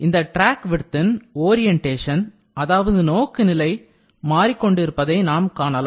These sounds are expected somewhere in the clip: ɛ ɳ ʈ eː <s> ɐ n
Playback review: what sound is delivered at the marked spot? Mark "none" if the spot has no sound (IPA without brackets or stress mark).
ʂ